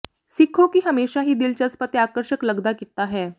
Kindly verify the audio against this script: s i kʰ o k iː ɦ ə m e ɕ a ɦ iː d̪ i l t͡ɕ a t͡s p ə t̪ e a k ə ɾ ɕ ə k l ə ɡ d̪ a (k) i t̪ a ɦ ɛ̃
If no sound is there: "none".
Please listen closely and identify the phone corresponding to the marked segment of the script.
k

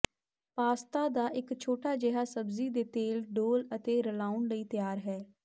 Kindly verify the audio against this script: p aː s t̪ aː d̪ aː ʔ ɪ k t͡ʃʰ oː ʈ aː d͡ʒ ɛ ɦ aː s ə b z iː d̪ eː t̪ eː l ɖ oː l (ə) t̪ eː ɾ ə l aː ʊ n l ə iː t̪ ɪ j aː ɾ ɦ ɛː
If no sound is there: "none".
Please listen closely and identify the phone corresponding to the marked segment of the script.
ə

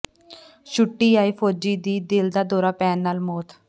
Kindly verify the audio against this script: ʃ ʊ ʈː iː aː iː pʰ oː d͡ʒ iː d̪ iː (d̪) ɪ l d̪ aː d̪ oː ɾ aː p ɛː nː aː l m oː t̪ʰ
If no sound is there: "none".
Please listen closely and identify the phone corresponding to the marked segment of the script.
d̪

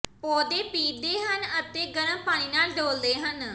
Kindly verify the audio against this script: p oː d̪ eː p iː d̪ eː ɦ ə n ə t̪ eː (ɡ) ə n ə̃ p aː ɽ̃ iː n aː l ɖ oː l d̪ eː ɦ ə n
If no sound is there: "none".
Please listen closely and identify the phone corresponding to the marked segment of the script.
ɡ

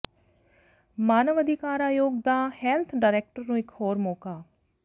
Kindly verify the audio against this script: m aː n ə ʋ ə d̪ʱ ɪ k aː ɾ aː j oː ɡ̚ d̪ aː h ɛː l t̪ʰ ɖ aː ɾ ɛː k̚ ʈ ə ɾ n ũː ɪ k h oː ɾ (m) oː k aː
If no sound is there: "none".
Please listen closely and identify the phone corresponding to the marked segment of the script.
m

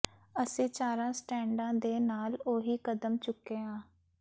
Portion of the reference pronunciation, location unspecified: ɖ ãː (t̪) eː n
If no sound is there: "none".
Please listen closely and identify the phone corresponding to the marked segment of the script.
d̪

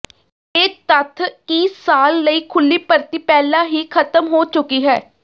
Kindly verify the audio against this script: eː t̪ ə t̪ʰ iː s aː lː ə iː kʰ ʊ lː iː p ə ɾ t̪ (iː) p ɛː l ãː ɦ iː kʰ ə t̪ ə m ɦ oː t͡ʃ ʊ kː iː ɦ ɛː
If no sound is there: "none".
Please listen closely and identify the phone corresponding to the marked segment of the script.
iː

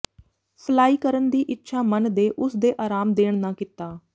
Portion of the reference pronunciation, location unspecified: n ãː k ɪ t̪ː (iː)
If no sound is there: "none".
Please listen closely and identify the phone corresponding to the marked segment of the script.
aː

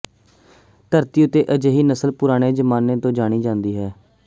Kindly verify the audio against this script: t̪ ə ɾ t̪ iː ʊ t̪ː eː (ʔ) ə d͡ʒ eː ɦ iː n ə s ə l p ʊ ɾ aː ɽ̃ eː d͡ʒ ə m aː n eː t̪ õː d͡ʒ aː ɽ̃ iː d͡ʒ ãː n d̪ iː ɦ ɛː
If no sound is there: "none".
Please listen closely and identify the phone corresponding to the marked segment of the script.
ʔ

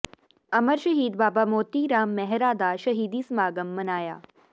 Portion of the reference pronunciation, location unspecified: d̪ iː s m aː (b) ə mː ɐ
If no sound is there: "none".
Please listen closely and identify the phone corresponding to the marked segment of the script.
ɡ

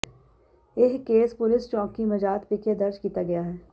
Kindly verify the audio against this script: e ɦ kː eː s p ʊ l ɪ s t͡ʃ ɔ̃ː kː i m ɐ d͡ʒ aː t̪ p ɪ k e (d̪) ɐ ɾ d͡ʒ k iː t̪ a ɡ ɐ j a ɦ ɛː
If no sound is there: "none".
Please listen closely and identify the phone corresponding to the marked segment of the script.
d̪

